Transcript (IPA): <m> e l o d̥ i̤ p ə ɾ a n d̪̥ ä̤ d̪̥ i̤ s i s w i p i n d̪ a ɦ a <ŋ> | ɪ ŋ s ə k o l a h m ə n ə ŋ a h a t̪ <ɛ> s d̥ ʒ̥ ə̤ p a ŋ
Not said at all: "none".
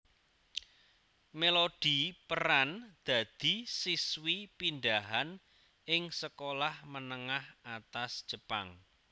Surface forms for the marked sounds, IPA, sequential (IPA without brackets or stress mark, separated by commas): m, n, a